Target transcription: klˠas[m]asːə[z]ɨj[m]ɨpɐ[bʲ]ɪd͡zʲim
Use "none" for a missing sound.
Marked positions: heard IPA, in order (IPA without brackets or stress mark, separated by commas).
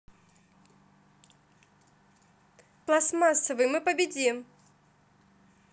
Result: m, v, m, bʲ